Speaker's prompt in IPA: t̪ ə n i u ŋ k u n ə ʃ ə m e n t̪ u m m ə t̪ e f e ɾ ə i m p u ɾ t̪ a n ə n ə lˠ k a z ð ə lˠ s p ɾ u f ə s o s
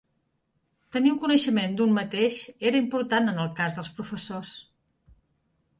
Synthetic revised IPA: t̪ ə n i u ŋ k u n ə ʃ ə m e n d̪ u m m ə t̪ e ʃ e ɾ ə i m p u ɾ t̪ a n ə n ə lˠ k a z ð ə lˠ s p ɾ u f ə s o s